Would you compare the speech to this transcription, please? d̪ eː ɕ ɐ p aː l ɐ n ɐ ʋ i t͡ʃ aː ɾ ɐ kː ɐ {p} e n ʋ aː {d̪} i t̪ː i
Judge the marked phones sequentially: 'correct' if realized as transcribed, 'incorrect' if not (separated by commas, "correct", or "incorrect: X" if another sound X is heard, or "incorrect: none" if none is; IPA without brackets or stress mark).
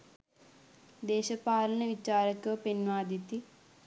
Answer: correct, correct